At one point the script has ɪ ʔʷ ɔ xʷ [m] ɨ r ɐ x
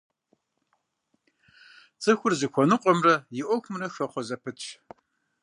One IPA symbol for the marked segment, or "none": m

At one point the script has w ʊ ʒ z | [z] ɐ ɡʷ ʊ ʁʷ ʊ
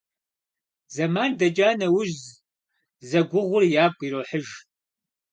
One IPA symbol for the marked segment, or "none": z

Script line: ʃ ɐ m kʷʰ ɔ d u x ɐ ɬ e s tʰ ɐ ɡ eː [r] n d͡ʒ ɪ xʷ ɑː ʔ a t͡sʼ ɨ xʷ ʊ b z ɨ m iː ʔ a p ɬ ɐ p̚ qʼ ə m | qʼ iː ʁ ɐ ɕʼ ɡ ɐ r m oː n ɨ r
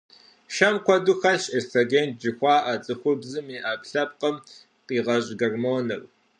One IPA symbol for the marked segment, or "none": none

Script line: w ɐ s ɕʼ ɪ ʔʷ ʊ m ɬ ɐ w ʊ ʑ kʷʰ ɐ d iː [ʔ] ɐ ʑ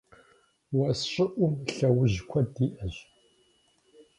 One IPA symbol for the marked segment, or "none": ʔ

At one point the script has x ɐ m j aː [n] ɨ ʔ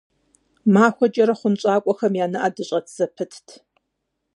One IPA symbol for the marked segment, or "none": n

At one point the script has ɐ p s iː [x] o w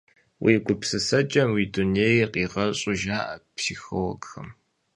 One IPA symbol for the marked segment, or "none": x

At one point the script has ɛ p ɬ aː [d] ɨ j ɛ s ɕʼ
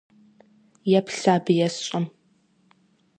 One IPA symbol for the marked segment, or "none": b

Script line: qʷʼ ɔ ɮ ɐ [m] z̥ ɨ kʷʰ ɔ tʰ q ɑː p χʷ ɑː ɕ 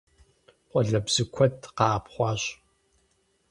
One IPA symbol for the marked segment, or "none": b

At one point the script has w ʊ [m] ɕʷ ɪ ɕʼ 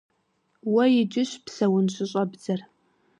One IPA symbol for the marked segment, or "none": n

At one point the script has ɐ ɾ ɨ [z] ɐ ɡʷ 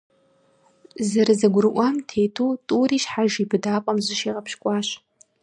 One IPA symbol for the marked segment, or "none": z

